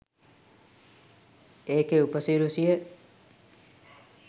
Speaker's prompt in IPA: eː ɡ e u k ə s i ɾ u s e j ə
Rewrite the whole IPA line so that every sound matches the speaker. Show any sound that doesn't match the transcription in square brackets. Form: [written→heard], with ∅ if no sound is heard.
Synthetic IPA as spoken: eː [ɡ→k] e u [k→p] ə s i ɾ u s [e→i] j ə